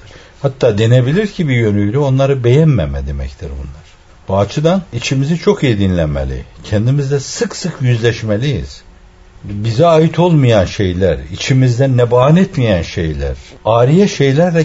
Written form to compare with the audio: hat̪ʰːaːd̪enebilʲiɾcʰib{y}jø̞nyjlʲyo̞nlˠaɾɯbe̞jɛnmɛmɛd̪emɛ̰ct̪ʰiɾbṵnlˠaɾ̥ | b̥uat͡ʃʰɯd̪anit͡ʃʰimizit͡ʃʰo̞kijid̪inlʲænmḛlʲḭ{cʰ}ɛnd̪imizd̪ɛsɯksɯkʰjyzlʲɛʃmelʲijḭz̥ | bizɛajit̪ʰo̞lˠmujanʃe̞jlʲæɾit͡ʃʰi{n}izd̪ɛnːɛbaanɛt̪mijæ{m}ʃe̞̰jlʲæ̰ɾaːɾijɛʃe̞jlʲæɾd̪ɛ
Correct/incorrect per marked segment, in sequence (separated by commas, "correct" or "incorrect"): incorrect, correct, incorrect, incorrect